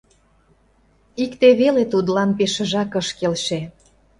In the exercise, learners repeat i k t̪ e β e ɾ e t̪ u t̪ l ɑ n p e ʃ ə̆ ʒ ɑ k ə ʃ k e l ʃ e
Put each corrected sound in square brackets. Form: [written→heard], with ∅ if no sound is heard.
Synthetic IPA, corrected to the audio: i k t̪ e β e [ɾ→l] e t̪ u [t̪→d̪] l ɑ n p e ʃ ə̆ ʒ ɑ k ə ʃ k e l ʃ e